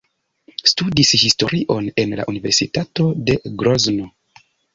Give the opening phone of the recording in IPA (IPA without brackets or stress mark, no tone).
s